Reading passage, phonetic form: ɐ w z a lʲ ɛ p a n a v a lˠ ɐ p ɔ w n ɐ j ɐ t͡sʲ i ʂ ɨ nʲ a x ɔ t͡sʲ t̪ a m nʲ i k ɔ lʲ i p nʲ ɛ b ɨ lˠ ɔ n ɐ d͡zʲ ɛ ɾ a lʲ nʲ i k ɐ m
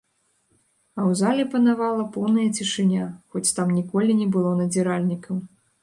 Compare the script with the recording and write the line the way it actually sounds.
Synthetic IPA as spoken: ɐ w z a lʲ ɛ p ɐ n a v a lˠ ɐ p ɔ w n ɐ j ɐ t͡sʲ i ʂ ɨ nʲ a x ɔ t͡sʲ t̪ a m nʲ i k ɔ lʲ i nʲ ɛ b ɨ lˠ ɔ n ɐ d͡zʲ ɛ ɾ a lʲ nʲ i k ɐ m